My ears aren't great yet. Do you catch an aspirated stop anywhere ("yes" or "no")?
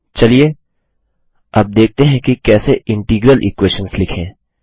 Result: yes